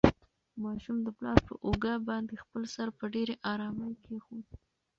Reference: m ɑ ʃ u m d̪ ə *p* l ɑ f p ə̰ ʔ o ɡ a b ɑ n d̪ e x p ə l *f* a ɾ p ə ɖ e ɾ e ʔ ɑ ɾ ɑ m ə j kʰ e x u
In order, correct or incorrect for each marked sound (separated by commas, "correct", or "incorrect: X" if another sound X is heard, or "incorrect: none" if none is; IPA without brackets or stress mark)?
correct, incorrect: s